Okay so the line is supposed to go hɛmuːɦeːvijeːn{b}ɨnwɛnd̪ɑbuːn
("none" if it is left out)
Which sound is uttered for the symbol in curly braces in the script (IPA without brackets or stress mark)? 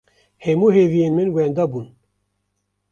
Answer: m